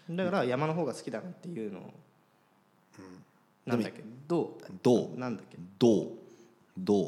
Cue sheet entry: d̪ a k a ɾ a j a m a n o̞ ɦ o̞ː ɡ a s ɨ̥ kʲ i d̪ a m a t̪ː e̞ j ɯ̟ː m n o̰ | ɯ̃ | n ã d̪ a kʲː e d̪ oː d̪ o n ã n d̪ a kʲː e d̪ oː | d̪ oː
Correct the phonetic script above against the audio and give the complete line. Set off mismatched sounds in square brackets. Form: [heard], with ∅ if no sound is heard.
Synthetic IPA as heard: d̪ a k a ɾ a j a m a n o̞ ɦ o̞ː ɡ a s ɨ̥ kʲ i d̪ a [n] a t̪ː e̞ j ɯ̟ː [∅] n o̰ | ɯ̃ | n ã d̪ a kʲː e d̪ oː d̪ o n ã n d̪ a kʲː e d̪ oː | d̪ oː